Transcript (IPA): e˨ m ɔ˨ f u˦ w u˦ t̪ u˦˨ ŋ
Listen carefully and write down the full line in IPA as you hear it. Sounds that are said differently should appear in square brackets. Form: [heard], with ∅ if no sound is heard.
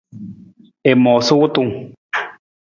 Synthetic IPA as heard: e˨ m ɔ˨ [s] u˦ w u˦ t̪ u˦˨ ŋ